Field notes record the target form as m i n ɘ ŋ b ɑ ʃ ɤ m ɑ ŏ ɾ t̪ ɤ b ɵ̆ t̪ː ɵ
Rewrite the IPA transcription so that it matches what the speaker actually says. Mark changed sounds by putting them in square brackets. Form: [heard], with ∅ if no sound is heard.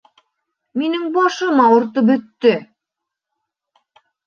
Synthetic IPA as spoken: m i n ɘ ŋ b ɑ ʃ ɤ m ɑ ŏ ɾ t̪ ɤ b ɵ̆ t̪ː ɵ